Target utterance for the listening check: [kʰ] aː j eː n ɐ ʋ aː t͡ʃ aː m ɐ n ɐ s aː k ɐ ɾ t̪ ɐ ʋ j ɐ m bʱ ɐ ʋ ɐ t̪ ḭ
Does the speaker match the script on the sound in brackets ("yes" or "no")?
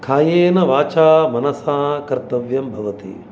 yes